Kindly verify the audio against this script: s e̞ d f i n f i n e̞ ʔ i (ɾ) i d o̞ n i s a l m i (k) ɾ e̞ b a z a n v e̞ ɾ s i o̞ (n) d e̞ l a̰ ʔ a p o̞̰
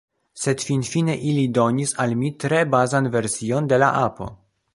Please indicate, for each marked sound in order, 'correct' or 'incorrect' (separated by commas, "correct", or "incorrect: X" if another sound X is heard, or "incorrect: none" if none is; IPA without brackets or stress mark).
incorrect: l, incorrect: t, correct